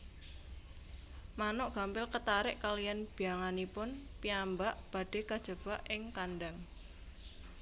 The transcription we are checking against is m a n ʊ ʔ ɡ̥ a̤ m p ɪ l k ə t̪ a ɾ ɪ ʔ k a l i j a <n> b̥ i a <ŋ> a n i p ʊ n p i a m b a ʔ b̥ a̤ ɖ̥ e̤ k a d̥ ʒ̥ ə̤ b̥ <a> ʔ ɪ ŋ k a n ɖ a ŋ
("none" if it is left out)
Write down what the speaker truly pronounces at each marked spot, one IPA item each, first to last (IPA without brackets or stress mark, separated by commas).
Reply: n, ŋ, a